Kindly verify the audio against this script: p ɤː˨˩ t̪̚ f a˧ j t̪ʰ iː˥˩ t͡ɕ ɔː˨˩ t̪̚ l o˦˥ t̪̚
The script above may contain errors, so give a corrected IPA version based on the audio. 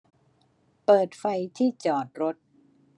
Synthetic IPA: p ɤː˨˩ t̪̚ f a˧ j t̪ʰ iː˥˩ t͡ɕ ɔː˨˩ t̪̚ ɾ o˦˥ t̪̚